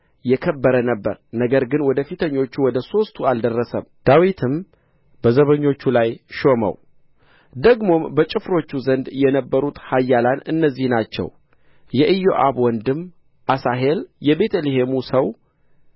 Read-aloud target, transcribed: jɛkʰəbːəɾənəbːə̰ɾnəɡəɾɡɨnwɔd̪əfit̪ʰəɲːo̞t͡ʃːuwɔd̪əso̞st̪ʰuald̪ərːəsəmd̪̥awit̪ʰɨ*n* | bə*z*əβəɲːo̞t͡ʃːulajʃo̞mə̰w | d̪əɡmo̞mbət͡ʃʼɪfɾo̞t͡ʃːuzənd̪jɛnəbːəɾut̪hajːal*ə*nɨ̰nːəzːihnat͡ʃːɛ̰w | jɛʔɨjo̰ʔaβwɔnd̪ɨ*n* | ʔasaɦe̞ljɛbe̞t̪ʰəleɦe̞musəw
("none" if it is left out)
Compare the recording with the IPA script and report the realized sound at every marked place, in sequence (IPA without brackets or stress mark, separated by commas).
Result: m, z, a, m